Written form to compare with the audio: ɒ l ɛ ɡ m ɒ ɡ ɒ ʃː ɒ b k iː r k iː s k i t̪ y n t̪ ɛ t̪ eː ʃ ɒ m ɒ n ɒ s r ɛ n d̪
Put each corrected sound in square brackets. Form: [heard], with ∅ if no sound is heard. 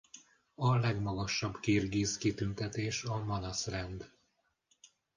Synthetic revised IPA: ɒ l ɛ ɡ m ɒ ɡ ɒ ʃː ɒ b k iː r [ɡ] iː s k i t̪ y n t̪ ɛ t̪ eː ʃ ɒ m ɒ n ɒ s r ɛ n d̪